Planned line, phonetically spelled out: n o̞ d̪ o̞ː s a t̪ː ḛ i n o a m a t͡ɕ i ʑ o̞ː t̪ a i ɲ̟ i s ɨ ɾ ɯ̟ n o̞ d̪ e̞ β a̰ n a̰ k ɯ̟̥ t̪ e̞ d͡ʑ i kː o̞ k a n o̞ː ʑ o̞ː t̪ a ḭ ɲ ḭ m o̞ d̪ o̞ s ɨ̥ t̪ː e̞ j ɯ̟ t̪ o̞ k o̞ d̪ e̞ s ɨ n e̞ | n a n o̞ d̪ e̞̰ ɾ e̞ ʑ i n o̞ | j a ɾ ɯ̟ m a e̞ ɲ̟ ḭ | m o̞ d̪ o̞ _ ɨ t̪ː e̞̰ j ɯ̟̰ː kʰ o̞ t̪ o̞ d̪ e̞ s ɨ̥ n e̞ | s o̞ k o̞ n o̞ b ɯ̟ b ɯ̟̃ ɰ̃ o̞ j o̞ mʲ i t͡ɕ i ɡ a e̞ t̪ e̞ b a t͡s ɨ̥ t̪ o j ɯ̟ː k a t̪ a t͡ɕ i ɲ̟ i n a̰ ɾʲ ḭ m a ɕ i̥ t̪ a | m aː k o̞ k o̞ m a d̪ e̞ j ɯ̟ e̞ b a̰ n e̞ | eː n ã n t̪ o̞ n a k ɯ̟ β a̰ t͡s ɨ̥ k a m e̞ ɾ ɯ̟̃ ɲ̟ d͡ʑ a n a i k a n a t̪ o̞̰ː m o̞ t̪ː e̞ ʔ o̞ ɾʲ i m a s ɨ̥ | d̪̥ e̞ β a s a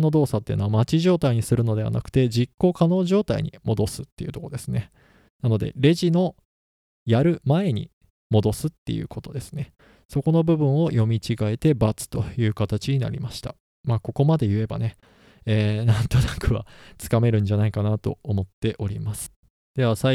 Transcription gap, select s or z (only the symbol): s